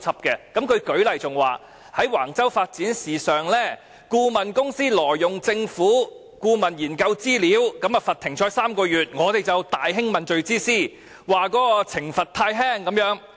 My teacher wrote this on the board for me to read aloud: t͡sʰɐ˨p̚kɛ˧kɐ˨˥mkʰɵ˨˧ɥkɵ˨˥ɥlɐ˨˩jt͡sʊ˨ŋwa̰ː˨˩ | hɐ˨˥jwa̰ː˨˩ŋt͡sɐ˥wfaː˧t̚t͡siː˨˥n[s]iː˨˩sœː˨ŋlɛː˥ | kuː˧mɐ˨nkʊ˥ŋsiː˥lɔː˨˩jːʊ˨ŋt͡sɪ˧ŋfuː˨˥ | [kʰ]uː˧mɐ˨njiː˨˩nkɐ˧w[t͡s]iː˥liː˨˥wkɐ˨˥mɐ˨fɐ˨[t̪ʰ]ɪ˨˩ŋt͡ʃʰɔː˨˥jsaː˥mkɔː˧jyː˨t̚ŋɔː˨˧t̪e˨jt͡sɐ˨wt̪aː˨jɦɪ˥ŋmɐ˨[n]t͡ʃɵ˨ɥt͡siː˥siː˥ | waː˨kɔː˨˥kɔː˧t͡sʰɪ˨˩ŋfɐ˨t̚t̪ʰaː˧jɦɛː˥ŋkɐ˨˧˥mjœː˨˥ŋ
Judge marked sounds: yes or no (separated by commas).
yes, no, yes, yes, yes